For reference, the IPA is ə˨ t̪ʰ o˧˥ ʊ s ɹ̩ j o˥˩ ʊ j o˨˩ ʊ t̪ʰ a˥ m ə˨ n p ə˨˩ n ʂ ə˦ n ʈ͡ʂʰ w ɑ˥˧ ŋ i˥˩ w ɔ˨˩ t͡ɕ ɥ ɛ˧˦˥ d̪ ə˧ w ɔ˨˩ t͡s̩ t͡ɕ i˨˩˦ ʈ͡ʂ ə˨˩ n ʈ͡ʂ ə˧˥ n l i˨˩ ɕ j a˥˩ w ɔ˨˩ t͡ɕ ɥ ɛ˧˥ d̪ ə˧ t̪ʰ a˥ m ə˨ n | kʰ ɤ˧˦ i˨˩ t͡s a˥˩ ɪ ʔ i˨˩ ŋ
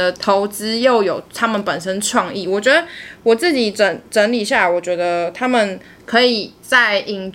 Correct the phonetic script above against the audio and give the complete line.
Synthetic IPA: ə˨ t̪ʰ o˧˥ ʊ t͡s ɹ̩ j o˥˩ ʊ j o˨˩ ʊ t̪ʰ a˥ m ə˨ n p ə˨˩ n ʂ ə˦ n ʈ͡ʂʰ w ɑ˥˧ ŋ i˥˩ w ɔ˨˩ t͡ɕ ɥ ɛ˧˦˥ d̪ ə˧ w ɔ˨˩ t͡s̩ t͡ɕ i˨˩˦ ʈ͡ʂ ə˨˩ n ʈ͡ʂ ə˧˥ n l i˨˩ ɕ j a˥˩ w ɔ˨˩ t͡ɕ ɥ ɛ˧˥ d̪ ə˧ t̪ʰ a˥ m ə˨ n | kʰ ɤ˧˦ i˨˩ t͡s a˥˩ ɪ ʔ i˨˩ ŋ